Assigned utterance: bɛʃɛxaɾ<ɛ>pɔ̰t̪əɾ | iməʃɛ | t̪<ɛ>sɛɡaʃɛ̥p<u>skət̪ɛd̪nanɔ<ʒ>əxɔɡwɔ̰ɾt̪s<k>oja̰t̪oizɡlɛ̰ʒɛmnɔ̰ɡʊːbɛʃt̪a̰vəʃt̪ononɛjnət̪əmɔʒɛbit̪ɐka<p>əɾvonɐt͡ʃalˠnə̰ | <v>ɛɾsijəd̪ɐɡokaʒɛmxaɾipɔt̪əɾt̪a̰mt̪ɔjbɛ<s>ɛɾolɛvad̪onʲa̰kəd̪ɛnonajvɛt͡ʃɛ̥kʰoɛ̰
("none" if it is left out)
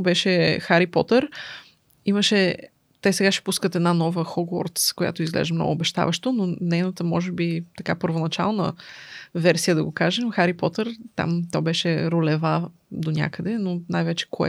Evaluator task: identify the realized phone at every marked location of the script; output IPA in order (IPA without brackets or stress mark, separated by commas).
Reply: i, ɛ, u, v, k, p, v, ʃ